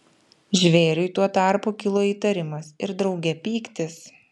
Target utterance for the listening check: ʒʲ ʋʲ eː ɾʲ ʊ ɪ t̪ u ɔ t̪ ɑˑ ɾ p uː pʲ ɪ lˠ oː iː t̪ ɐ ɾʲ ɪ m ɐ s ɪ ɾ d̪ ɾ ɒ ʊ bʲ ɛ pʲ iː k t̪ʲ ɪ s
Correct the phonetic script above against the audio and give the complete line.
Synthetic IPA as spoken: ʒʲ ʋʲ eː ɾʲ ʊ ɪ t̪ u ɔ t̪ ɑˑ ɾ p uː kʲ ɪ lˠ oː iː t̪ ɐ ɾʲ ɪ m ɐ s ɪ ɾ d̪ ɾ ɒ ʊ ɡʲ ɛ pʲ iː k t̪ʲ ɪ s